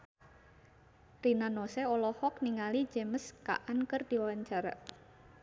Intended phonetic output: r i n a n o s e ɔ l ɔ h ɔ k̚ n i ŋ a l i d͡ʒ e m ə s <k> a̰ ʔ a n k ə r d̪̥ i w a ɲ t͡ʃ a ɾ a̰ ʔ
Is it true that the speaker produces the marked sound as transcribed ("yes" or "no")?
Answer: yes